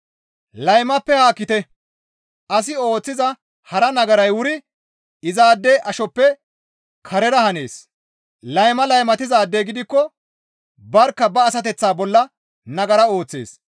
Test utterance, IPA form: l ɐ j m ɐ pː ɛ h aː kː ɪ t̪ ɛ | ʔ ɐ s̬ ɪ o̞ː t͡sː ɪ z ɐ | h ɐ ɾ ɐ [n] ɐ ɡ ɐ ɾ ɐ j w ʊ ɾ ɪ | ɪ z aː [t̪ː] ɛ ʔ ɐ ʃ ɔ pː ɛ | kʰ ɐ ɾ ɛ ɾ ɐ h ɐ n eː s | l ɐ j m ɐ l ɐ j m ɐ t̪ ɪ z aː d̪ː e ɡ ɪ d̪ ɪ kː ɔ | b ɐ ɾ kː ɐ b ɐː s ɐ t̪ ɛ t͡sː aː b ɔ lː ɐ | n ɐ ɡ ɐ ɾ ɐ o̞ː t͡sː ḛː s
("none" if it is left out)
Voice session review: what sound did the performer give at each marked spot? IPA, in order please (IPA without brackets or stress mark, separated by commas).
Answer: n, d̪ː